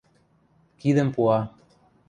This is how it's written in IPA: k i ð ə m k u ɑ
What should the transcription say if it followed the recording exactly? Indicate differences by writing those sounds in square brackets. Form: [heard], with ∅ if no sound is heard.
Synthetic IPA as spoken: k i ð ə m [p] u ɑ

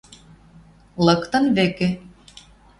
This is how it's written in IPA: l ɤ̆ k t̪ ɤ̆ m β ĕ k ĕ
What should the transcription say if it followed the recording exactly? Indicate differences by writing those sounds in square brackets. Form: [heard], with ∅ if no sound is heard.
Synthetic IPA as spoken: l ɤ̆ k t̪ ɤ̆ [n] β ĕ k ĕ

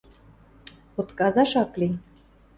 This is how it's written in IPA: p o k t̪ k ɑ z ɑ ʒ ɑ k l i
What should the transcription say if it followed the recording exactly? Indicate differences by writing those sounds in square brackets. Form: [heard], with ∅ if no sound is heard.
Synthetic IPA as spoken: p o [∅] t̪ k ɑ z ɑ [ʃ] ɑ k l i

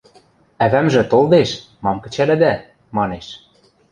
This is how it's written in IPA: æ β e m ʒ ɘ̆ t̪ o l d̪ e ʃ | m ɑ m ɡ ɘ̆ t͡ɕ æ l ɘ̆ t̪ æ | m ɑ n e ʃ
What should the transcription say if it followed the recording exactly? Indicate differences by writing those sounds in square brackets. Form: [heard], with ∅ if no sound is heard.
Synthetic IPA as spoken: æ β [æ] m ʒ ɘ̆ t̪ o l d̪ e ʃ | m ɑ m [k] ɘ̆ t͡ɕ æ l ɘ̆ [d̪] æ | m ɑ n e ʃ

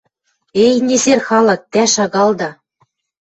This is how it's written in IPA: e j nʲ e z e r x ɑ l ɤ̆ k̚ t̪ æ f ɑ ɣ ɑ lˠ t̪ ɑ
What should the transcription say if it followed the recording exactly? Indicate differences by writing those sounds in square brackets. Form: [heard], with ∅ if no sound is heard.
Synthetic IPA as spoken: e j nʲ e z e r x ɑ l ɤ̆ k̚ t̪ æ [ʃ] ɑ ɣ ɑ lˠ [d̪] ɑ

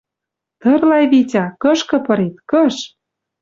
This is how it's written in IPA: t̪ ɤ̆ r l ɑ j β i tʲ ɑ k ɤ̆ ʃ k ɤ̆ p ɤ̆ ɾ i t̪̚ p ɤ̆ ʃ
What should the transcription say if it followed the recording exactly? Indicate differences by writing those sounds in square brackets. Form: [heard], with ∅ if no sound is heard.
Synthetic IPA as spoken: t̪ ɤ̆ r l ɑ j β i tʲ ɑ k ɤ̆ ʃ k ɤ̆ p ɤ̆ ɾ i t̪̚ [k] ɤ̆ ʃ

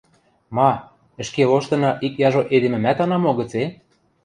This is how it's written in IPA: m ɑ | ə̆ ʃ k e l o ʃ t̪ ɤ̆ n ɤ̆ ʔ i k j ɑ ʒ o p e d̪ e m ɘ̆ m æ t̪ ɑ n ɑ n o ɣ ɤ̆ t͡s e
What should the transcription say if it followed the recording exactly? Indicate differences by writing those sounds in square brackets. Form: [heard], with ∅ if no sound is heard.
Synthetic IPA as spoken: m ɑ | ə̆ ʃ k e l o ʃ t̪ ɤ̆ n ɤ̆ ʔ i k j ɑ ʒ o [ʔ] e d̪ e m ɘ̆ m æ t̪ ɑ n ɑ [m] o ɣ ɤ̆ t͡s e

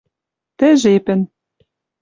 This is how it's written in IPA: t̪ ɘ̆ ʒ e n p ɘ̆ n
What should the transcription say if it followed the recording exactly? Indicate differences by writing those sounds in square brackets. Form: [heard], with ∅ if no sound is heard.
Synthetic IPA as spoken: t̪ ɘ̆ ʒ e [∅] p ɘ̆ n

